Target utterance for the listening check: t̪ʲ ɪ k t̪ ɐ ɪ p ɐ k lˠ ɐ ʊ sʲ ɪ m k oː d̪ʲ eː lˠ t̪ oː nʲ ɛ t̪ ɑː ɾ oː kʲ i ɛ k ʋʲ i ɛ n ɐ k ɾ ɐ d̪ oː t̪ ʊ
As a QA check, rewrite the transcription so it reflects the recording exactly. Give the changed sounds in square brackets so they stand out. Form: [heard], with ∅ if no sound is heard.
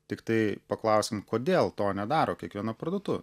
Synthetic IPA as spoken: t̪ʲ ɪ k t̪ ɐ ɪ p ɐ k lˠ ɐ ʊ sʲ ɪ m k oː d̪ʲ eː lˠ t̪ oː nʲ ɛ [d̪] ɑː ɾ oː kʲ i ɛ k ʋʲ i ɛ n ɐ [p] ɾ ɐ d̪ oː t̪ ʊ